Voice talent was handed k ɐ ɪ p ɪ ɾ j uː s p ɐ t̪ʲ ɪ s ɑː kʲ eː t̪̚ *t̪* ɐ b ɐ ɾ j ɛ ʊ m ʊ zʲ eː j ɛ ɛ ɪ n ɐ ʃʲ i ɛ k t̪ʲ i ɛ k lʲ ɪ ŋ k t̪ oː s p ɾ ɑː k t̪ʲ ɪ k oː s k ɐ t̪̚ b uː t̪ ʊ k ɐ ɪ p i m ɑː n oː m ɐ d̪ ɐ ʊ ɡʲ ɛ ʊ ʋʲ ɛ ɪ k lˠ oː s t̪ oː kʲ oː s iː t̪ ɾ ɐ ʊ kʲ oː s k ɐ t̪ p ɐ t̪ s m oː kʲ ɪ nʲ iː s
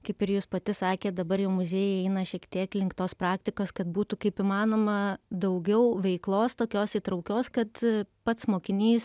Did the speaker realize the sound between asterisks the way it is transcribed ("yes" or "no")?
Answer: no